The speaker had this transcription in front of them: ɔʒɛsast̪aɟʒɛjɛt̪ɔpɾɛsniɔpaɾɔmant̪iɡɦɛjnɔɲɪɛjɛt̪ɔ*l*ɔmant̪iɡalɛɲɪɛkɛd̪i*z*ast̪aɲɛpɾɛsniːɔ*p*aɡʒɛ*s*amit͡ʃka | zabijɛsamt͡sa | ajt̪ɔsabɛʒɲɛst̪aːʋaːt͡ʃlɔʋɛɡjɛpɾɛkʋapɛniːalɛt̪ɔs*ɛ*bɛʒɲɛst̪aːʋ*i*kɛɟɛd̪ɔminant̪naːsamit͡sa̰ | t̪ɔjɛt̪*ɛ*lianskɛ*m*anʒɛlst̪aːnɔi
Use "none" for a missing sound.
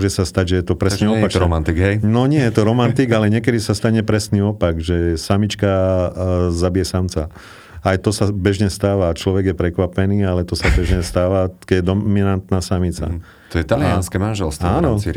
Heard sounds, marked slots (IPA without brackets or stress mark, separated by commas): ɾ, s, p, s, a, a, a, m